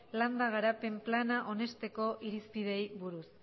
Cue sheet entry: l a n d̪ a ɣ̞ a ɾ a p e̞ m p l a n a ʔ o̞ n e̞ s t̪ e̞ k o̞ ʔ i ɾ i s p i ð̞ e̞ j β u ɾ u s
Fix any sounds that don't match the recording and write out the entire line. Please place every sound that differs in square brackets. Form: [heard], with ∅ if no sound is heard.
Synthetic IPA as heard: l a n d̪ a ɣ̞ a ɾ a p e̞ m p l a n a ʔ o̞ n e̞ s t̪ e̞ k o̞ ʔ i ɾ i s p i ð̞ e̞ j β u ɾ u s